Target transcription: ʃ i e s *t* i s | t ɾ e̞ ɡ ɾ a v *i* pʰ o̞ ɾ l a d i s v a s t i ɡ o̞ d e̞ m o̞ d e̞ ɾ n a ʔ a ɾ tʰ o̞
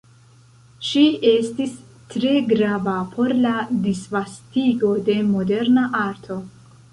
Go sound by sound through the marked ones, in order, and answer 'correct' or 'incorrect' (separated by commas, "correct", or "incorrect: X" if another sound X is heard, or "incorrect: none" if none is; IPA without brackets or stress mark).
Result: correct, incorrect: a